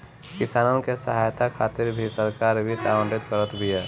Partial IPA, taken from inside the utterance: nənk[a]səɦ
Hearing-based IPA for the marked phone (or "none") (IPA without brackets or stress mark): e